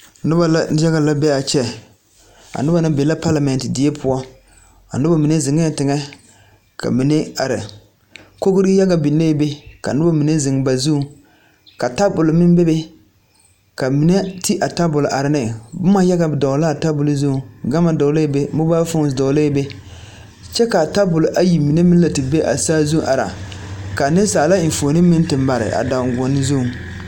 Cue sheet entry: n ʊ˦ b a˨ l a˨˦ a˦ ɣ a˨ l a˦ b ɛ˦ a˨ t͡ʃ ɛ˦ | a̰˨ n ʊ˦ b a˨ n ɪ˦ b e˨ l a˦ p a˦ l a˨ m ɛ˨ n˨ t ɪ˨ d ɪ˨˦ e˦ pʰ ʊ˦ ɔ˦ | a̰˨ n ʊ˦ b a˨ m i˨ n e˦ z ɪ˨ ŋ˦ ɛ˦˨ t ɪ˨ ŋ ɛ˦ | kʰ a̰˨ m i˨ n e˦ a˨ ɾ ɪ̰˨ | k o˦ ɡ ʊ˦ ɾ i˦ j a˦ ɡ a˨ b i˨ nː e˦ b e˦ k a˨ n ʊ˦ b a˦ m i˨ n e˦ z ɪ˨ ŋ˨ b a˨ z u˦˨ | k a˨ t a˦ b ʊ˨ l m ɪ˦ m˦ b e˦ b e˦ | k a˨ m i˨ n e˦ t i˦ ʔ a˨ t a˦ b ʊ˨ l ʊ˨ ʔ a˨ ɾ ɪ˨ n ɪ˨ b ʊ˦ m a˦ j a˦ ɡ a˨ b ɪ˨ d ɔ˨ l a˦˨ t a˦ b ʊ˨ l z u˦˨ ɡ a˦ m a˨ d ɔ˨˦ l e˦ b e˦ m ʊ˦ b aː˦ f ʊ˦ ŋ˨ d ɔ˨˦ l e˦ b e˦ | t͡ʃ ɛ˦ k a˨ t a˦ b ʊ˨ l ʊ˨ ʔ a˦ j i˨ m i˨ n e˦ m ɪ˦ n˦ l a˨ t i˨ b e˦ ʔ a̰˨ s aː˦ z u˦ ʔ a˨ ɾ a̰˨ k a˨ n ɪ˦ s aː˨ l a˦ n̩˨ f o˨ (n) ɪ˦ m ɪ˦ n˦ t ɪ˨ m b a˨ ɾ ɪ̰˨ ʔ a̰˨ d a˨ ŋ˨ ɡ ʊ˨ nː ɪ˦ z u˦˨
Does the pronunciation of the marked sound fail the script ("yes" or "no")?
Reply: no